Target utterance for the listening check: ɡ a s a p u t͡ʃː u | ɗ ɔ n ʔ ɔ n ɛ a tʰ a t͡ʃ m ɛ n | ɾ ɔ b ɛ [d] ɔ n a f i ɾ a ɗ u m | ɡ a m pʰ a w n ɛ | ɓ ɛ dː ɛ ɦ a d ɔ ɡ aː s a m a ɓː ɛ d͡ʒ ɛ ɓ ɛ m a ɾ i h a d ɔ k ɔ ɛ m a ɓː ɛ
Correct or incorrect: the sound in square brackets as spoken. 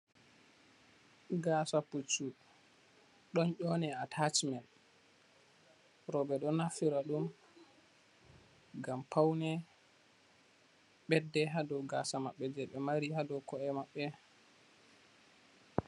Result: incorrect: ɗ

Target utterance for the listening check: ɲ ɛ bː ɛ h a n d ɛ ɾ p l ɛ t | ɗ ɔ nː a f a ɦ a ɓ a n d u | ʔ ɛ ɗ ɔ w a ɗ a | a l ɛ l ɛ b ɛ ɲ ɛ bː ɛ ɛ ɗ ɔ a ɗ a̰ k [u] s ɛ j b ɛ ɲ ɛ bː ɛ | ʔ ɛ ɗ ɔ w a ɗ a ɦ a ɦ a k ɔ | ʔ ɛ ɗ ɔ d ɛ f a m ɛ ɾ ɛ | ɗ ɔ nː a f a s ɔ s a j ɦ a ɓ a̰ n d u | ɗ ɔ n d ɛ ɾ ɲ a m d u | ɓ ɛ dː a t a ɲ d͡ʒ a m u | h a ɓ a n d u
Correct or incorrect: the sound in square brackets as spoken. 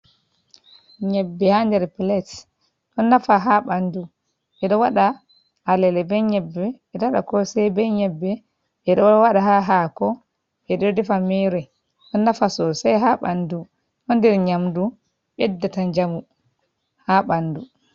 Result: incorrect: ɔ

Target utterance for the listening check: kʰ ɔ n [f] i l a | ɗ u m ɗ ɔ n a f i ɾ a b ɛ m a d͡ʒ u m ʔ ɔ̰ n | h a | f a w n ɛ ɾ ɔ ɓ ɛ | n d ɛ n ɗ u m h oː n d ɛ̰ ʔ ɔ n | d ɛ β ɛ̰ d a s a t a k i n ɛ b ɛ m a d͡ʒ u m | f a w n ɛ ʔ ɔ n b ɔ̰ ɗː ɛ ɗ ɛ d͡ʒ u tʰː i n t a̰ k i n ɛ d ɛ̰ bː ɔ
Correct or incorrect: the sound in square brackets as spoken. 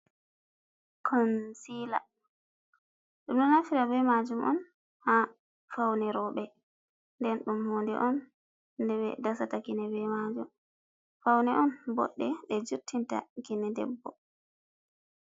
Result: incorrect: s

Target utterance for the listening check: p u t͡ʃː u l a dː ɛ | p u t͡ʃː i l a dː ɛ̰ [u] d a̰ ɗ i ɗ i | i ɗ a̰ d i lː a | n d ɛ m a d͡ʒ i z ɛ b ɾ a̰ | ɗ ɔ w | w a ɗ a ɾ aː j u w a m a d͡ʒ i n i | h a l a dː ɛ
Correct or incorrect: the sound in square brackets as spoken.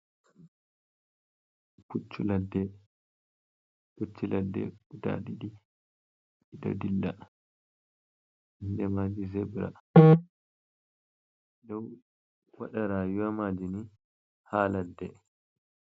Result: correct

